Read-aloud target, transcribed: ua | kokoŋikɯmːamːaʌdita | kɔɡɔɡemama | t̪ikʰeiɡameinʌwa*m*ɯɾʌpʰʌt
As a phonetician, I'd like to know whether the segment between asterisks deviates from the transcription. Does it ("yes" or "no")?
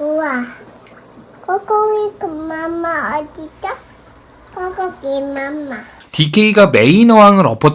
yes